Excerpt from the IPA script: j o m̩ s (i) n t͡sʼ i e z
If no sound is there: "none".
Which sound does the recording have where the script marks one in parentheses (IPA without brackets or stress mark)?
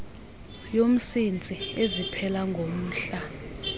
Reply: i